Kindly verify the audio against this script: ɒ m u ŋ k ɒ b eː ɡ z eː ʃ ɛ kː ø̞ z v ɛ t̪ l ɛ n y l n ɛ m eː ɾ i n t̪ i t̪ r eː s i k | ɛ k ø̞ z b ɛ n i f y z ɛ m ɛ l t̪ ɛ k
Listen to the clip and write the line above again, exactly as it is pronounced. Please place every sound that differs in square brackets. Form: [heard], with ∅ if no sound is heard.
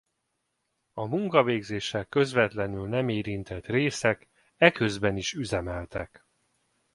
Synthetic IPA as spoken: ɒ m u ŋ k ɒ [v] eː ɡ z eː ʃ ɛ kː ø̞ z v ɛ t̪ l ɛ n y l n ɛ m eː ɾ i n t̪ [ɛ] t̪ r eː s [ɛ] k | ɛ k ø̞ z b ɛ n i [ʃ] y z ɛ m ɛ l t̪ ɛ k